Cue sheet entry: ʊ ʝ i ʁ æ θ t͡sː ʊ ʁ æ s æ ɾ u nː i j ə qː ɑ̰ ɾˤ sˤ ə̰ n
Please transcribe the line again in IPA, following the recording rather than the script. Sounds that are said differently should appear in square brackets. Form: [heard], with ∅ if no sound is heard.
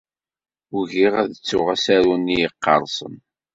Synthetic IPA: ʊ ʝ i ʁ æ [ð] t͡sː ʊ ʁ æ s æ ɾ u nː i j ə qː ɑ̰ ɾˤ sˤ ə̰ n